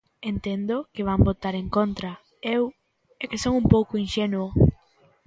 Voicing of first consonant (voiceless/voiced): voiced